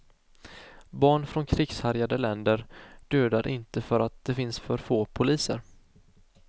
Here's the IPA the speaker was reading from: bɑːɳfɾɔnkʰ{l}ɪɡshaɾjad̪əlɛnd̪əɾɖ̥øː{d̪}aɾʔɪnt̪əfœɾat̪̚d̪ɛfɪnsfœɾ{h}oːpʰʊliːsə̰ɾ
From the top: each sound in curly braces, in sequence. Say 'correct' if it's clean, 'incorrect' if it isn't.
incorrect: ɾ, correct, incorrect: f

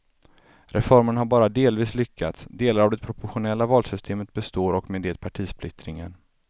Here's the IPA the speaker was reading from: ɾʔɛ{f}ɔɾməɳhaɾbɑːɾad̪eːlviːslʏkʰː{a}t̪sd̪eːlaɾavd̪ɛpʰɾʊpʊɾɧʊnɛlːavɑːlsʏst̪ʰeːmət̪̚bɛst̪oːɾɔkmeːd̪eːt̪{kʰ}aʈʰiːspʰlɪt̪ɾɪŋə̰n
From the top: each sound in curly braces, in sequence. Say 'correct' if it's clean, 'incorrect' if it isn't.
correct, correct, incorrect: pʰ

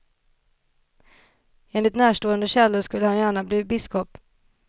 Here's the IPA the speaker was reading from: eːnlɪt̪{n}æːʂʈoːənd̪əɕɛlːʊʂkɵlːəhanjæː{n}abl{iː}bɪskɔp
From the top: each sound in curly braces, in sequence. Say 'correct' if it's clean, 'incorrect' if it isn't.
correct, incorrect: ɳ, correct

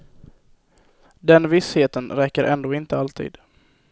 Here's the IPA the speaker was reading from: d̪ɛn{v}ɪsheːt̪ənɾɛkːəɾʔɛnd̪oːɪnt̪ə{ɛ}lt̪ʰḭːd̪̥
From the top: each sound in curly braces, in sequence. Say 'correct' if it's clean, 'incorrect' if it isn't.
correct, incorrect: a

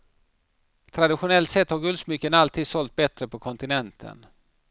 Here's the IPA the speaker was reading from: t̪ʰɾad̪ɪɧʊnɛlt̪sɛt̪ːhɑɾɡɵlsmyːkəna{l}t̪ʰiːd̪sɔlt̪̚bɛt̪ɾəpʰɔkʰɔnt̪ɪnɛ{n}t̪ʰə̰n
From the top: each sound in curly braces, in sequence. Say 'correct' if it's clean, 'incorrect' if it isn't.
correct, correct

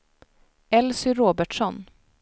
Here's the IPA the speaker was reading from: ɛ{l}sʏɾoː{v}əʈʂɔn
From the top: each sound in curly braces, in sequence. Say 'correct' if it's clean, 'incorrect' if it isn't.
correct, incorrect: b

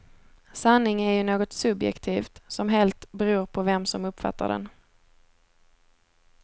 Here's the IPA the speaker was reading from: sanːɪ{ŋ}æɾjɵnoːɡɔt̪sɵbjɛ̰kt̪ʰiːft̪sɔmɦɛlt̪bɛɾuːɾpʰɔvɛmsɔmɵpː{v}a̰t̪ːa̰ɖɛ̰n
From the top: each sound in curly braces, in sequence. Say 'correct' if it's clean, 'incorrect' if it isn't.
correct, incorrect: f

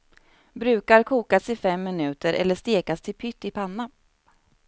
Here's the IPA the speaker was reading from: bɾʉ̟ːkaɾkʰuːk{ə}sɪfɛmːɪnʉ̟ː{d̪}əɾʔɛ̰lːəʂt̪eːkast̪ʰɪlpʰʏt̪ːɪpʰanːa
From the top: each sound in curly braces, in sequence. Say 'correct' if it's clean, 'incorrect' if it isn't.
incorrect: a, incorrect: t̪

